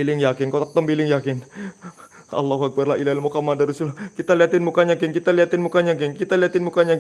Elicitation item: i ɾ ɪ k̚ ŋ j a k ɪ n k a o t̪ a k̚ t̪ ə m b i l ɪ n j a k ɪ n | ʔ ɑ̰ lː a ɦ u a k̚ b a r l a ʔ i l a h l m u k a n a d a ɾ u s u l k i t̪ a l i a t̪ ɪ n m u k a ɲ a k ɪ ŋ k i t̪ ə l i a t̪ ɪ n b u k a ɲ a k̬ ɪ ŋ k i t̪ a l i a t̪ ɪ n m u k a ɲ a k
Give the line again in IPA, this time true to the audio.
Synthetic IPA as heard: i l ɪ ŋ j a k ɪ n k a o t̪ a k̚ t̪ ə m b i l ɪ ŋ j a k ɪ n | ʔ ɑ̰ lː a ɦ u a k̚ b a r l a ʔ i l a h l m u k a m a d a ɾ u s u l k i t̪ a l i a t̪ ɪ n m u k a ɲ a k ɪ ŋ k i t̪ a l i a t̪ ɪ n m u k a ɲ a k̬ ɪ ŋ k i t̪ a l i a t̪ ɪ n m u k a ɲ a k